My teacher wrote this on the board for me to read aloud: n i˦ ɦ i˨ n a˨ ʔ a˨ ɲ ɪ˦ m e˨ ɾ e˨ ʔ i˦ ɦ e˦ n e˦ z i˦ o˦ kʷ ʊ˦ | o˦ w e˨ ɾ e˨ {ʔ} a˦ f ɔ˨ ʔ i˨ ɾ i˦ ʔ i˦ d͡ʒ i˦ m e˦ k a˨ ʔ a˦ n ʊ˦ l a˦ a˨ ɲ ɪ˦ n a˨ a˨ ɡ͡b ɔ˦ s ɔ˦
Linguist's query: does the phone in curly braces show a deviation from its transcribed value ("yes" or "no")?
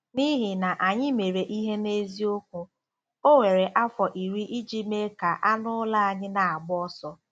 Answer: no